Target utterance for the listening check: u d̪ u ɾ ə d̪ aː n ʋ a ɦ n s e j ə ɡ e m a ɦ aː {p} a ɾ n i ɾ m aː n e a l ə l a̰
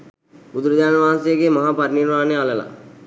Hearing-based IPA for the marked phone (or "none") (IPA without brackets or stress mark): p